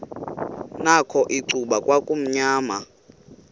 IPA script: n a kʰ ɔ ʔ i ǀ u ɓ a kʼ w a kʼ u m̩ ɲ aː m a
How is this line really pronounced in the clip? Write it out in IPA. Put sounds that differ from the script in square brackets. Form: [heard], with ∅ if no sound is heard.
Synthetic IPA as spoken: n a kʰ ɔ ʔ i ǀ u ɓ a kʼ w a kʼ u m̩ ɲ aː m a